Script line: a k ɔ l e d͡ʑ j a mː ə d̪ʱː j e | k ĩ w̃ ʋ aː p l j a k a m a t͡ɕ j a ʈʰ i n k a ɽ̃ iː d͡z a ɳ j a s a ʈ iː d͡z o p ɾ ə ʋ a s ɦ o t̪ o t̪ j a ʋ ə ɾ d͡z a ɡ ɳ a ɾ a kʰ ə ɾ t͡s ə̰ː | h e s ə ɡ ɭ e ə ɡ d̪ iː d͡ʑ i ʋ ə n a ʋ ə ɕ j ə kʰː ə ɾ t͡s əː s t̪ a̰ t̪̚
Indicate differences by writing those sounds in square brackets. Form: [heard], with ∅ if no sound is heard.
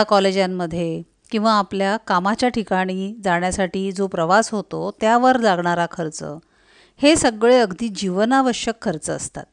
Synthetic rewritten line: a k ɔ l e d͡ʑ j a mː ə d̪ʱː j e | k ĩ w̃ ʋ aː p l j a k a m a t͡ɕ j a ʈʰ i [∅] k a ɽ̃ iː d͡z a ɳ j a s a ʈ iː d͡z o p ɾ ə ʋ a s ɦ o t̪ o t̪ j a ʋ ə ɾ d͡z a ɡ ɳ a ɾ a kʰ ə ɾ t͡s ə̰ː | h e s ə ɡ ɭ e ə ɡ d̪ iː d͡ʑ i ʋ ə n a ʋ ə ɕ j ə kʰː ə ɾ t͡s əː s t̪ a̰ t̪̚